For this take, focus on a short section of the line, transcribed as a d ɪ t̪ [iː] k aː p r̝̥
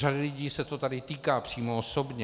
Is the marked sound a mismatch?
no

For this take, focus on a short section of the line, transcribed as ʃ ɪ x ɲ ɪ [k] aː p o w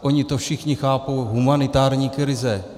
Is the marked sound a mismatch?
yes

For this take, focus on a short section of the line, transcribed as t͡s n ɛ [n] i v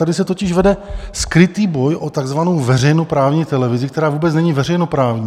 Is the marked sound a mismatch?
yes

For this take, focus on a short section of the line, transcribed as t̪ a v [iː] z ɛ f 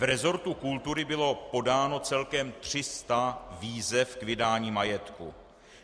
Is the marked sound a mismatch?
no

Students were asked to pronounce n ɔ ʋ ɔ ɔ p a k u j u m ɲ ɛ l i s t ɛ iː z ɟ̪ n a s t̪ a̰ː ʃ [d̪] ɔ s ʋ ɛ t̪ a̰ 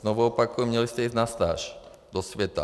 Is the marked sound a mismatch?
no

